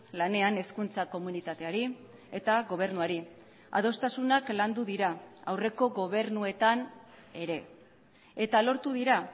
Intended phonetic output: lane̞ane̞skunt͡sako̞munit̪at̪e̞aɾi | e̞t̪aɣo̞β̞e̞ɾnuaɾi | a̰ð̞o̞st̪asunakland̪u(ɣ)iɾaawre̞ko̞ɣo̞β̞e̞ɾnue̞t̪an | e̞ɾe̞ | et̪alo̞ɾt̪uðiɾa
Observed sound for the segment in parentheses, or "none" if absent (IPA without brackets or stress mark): ð